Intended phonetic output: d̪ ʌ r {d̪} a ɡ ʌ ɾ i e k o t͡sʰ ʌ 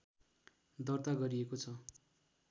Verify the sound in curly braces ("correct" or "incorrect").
incorrect